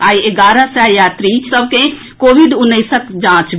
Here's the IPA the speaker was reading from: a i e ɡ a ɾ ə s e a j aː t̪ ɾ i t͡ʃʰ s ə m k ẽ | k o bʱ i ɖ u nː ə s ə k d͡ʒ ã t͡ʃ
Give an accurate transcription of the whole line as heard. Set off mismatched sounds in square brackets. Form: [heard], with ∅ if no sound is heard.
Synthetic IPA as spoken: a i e ɡ a ɾ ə s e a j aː t̪ ɾ i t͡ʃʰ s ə [b] k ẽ | k o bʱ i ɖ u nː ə s ə k d͡ʒ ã t͡ʃ